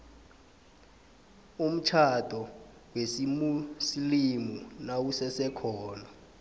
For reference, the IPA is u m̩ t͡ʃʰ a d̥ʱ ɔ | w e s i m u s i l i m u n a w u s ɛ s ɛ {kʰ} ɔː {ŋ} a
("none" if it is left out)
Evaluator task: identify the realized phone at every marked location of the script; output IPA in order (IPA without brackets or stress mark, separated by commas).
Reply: kʰ, n